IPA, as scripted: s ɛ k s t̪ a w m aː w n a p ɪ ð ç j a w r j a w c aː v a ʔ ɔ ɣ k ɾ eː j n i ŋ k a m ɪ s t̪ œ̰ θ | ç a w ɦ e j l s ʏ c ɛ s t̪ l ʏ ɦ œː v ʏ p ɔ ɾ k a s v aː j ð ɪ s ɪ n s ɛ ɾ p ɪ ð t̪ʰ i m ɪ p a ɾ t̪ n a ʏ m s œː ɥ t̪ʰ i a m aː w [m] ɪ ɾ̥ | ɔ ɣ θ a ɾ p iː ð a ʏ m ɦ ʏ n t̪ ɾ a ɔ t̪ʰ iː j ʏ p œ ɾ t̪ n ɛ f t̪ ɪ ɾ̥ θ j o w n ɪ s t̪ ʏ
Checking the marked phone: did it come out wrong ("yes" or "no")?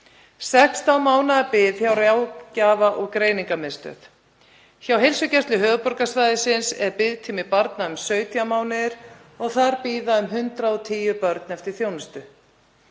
yes